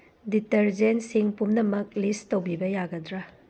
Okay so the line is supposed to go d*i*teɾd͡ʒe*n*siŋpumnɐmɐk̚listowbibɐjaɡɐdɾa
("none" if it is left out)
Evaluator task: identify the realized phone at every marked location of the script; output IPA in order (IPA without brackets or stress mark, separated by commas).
i, n